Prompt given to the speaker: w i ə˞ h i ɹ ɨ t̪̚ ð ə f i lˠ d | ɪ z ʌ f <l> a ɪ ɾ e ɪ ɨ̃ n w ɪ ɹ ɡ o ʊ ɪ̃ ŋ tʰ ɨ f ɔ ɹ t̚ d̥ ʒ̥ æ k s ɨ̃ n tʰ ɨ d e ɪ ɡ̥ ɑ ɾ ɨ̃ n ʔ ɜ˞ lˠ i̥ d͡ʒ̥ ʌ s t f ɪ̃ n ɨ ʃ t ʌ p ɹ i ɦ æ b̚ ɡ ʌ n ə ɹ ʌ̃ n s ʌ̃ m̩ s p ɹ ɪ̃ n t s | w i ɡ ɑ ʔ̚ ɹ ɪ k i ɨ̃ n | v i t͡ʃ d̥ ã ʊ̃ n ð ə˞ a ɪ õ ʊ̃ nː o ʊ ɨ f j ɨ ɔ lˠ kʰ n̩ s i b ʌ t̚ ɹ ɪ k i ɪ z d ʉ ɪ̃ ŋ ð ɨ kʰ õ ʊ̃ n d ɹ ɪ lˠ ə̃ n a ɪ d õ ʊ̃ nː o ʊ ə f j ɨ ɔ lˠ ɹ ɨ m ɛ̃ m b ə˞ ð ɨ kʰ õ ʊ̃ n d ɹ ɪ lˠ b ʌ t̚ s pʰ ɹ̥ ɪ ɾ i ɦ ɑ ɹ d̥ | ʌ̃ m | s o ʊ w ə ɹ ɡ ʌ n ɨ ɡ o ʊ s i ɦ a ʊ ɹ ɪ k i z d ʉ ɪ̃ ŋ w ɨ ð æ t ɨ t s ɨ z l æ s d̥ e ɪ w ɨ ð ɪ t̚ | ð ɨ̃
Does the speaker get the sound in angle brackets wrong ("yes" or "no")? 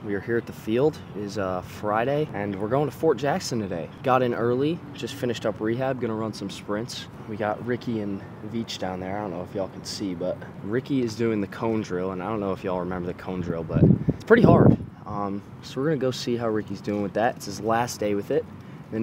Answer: yes